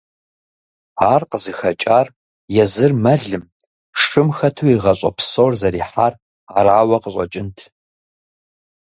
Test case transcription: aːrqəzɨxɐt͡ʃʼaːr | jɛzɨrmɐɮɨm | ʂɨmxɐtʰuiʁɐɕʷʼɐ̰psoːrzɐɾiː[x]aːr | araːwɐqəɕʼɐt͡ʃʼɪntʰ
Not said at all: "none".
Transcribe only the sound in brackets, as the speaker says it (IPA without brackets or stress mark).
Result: ħ